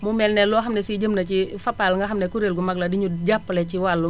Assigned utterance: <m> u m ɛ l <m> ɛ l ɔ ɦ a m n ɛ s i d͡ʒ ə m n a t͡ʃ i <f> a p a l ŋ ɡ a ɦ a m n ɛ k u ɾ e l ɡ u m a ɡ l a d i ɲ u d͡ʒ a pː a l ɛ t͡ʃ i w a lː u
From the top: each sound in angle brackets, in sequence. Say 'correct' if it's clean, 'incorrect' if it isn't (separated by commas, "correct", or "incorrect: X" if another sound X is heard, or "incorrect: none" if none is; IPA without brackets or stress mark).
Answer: correct, incorrect: n, correct